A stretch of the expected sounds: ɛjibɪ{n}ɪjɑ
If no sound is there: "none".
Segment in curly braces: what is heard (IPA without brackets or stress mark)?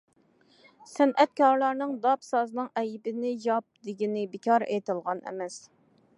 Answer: n